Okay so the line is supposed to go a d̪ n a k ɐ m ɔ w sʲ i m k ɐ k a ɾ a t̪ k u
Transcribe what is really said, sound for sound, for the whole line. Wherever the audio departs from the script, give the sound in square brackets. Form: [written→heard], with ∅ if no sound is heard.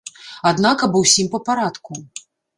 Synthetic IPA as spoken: a d̪ n a k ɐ [m→b] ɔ w sʲ i m [k→p] ɐ [k→p] a ɾ a t̪ k u